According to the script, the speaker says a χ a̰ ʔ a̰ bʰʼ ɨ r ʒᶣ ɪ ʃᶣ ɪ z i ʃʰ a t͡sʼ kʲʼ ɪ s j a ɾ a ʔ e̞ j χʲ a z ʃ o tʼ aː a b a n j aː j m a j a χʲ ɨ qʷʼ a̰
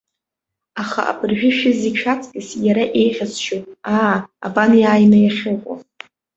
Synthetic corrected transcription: a χ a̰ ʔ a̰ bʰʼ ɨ r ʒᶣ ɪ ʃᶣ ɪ z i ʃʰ a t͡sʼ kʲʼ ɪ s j a ɾ a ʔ e̞ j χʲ a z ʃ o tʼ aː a b a n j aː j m a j a χʲ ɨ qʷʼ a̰

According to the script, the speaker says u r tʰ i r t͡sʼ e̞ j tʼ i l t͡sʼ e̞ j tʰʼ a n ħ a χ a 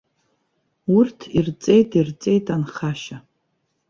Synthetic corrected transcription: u r tʰ i r t͡sʼ e̞ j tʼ i r t͡sʼ e̞ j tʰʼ a n χ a ʃ a

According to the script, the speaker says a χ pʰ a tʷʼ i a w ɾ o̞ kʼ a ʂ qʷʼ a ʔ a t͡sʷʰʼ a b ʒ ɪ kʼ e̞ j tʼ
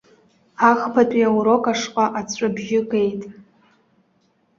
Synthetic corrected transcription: a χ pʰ a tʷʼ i a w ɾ o̞ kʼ a ʂ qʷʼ a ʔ a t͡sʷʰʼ a b ʒ ɪ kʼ e̞ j tʼ

